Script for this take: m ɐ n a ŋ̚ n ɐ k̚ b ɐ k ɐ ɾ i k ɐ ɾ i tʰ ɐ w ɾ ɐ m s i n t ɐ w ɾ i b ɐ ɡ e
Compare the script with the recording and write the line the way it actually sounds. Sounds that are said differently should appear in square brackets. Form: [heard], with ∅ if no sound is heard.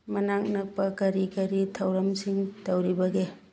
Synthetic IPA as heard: m ɐ n a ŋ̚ n ɐ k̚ [p] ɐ k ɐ ɾ i k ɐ ɾ i tʰ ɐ w ɾ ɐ m s i [ŋ] t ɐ w ɾ i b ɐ ɡ e